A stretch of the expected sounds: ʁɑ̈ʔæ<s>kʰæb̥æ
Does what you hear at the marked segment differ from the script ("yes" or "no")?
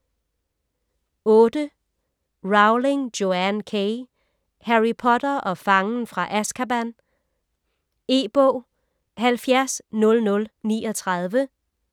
no